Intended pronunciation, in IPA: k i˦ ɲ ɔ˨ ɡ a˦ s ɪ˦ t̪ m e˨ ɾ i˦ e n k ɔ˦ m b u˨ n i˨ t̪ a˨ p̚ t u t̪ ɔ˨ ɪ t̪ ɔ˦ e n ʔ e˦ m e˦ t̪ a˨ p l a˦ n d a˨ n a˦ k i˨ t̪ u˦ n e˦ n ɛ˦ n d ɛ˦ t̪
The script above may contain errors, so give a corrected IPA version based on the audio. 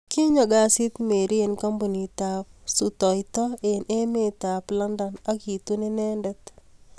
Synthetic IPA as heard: k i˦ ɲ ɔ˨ ɡ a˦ s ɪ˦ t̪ m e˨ ɾ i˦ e n k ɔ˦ m b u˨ n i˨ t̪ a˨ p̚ s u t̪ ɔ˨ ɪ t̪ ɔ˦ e n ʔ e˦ m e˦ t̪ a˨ p l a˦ n d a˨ n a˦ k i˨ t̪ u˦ n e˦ n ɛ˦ n d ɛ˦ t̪

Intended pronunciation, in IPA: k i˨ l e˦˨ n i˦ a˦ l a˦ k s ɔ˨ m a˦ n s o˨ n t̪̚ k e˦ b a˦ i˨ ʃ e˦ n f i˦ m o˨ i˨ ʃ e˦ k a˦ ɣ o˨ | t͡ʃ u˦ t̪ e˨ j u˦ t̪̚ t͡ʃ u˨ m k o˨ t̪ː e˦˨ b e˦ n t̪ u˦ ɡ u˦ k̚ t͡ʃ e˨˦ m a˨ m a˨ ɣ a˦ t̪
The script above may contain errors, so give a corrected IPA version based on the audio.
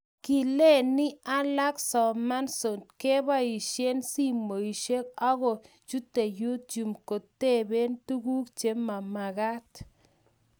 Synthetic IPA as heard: k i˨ l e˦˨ n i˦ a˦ l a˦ k s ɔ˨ m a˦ n s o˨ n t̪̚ k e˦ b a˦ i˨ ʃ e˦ n s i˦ m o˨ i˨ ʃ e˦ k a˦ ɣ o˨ | t͡ʃ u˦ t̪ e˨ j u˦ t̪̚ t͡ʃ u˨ m k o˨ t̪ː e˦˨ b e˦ n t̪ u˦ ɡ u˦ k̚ t͡ʃ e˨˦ m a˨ m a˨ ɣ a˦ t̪

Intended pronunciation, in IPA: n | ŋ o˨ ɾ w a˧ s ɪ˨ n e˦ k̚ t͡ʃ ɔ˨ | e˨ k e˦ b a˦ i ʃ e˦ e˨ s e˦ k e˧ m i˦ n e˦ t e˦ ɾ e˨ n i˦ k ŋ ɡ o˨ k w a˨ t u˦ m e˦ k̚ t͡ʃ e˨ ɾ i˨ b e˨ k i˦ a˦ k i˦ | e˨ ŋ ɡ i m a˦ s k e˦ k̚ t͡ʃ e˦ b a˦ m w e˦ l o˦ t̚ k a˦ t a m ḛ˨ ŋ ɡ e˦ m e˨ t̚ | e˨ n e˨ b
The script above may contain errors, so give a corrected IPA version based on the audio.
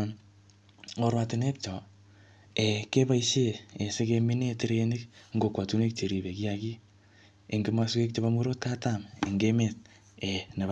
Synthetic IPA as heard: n | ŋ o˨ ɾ w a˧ t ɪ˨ n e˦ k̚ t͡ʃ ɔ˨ | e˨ k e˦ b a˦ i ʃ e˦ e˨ s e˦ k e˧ m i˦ n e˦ t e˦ ɾ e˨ n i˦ k ŋ ɡ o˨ k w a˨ t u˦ n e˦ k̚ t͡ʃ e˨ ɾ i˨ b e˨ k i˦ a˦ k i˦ | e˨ ŋ ɡ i m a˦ s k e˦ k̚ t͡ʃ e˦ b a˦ m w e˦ ɾ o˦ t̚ k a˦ t a m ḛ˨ ŋ ɡ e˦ m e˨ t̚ | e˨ n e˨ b

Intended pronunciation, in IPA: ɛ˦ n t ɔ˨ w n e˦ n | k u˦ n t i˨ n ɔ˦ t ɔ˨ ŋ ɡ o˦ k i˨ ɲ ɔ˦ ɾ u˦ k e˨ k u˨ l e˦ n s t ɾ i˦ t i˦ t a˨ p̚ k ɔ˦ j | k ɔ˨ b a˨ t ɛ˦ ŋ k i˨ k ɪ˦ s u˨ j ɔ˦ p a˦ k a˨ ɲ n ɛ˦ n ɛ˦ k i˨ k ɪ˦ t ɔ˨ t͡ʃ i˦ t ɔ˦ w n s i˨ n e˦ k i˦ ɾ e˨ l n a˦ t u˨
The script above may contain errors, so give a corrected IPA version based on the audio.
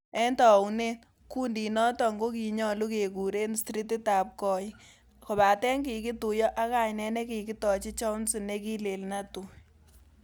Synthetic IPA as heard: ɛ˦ n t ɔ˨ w n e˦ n | k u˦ n d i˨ n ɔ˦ t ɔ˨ ŋ ɡ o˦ k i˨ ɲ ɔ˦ l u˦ k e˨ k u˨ ɾ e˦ n s t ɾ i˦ t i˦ t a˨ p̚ k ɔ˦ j | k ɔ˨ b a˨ t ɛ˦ ŋ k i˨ k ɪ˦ t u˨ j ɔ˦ ʔ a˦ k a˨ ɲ n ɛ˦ n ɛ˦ k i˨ k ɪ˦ t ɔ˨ t͡ʃ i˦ t͡ʃ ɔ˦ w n s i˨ n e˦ k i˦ l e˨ l n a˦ t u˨

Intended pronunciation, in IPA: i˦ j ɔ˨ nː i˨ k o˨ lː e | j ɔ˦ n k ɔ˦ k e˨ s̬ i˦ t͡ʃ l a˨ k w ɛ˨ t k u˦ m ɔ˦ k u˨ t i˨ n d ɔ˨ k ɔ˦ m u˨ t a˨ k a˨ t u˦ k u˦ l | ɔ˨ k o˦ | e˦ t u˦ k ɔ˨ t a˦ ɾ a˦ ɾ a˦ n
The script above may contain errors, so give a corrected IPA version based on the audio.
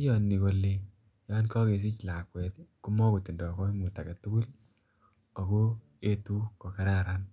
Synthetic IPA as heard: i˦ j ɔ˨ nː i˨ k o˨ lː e | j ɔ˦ n k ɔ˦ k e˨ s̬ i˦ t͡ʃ l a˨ k w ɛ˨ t k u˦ m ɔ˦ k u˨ t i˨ n d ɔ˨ k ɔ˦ m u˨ t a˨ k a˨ t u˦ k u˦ l | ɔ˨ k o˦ | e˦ t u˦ k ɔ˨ k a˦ ɾ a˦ ɾ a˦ n

